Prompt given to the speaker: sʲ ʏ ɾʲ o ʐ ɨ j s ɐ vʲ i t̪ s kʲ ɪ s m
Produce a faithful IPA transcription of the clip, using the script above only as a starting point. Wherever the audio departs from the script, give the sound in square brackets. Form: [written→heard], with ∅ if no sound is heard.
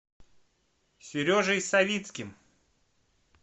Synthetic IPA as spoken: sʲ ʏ ɾʲ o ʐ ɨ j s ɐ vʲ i t̪ s kʲ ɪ [s→∅] m